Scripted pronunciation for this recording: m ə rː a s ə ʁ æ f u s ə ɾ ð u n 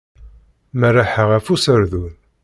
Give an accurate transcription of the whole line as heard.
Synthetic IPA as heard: m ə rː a ħ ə ʁ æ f u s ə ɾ ð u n